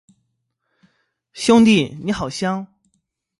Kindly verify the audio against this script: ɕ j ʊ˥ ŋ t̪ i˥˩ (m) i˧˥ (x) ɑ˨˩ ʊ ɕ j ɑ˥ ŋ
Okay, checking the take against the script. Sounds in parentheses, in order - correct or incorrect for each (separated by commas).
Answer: incorrect, correct